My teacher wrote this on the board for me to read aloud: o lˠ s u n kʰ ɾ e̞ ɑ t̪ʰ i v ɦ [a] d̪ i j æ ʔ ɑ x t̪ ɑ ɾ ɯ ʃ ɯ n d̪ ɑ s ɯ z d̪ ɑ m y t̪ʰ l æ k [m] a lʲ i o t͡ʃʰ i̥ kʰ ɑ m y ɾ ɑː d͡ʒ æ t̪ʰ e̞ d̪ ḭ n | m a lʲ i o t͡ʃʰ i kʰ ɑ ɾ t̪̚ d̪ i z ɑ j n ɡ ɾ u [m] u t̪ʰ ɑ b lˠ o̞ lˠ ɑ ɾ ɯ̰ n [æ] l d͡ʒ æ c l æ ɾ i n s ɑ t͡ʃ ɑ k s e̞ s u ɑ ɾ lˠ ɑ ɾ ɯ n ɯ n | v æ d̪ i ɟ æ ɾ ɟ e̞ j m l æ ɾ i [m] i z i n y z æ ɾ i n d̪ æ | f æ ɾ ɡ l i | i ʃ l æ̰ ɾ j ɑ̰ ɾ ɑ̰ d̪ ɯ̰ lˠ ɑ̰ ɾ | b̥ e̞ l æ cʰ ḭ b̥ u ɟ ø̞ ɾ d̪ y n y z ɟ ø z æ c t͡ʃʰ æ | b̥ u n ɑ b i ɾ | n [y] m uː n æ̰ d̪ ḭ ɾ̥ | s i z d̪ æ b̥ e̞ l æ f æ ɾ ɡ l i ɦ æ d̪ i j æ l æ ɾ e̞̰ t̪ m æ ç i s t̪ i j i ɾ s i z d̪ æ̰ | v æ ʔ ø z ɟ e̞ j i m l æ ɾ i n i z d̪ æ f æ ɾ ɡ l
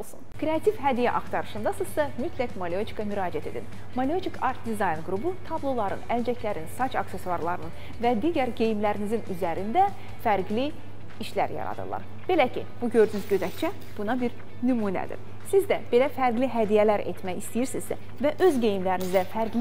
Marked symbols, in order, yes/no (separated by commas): no, yes, no, yes, no, yes